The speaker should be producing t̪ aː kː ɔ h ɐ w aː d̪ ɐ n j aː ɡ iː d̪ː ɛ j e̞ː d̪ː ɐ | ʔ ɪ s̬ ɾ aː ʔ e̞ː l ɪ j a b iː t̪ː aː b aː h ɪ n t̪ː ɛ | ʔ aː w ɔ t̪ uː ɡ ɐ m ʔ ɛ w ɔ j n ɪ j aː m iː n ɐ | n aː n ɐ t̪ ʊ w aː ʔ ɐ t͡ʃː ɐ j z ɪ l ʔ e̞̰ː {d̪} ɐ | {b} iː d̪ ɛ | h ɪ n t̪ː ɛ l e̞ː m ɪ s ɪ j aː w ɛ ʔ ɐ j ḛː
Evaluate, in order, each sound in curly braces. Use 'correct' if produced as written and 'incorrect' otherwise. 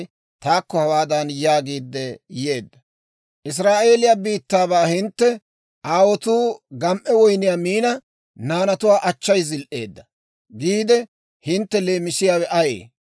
incorrect: d̪ː, incorrect: ɡ

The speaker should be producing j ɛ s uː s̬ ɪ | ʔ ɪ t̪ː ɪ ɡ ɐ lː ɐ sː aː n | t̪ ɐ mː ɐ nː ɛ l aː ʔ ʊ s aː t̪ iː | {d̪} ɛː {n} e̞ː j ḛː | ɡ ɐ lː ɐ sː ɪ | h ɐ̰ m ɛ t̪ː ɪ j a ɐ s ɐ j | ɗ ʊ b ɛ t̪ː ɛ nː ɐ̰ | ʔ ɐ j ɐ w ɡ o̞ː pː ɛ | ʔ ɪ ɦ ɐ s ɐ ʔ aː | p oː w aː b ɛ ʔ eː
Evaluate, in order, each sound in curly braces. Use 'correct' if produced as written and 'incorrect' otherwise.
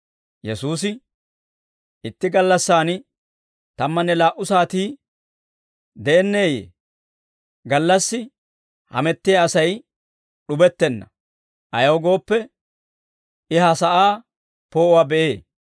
correct, incorrect: nː

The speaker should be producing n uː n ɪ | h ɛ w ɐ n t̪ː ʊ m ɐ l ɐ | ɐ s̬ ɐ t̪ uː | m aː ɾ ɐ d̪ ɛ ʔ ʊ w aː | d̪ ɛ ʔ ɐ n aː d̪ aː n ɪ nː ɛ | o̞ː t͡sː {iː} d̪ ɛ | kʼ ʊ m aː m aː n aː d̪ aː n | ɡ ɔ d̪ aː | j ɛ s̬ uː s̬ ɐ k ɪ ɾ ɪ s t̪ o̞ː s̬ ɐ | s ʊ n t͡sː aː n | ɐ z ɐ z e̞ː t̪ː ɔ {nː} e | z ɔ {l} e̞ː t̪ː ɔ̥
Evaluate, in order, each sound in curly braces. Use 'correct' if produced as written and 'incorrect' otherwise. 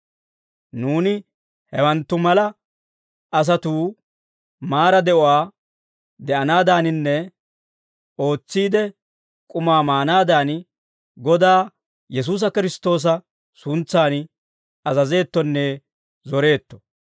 correct, correct, incorrect: ɾ

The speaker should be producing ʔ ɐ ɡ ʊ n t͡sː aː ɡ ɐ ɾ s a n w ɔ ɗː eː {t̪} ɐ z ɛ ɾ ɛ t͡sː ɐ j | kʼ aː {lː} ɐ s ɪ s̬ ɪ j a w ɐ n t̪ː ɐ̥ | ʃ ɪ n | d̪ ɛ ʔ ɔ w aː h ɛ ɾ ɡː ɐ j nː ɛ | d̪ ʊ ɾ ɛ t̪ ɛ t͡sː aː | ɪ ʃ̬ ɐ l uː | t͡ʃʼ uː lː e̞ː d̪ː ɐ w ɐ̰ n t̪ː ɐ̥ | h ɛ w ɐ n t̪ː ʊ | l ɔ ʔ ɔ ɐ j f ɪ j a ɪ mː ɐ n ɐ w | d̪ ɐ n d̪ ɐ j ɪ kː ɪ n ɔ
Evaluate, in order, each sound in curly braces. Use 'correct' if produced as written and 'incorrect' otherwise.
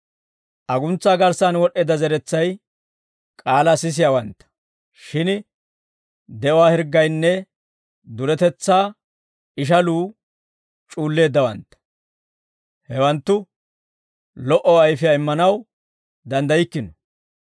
incorrect: d̪, incorrect: l

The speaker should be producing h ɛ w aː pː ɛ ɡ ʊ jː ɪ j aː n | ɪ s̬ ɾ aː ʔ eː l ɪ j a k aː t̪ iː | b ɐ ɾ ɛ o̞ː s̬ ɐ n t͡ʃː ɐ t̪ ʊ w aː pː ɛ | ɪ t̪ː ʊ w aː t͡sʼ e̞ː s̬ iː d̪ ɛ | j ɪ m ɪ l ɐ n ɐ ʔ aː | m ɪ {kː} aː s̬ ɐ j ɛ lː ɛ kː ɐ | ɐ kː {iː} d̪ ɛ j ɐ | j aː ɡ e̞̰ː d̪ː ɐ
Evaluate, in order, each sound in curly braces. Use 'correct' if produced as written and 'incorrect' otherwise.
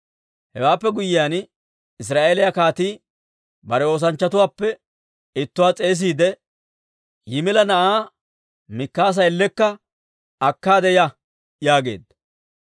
correct, incorrect: aː

